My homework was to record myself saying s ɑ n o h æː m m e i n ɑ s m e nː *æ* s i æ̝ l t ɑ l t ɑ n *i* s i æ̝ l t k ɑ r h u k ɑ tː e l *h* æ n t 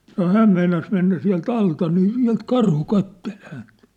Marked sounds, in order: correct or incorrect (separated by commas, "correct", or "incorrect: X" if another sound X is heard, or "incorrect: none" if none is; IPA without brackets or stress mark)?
correct, incorrect: iː, correct